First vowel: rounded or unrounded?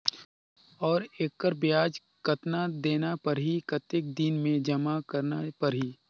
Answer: rounded